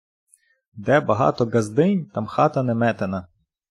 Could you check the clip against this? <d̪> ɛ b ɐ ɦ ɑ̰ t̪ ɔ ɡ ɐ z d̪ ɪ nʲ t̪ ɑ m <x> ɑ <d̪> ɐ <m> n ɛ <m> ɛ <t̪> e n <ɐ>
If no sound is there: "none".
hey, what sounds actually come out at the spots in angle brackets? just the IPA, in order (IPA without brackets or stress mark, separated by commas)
d̪, x, t̪, none, m, t̪, ɐ